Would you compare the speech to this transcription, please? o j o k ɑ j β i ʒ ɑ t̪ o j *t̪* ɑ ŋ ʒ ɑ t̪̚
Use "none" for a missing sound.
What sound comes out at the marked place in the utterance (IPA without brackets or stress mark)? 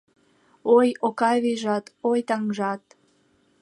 t̪